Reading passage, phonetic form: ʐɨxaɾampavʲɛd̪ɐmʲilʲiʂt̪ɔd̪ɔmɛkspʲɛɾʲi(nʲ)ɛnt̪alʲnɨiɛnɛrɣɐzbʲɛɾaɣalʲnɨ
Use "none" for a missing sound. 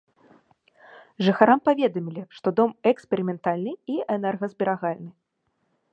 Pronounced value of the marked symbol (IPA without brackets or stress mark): mʲ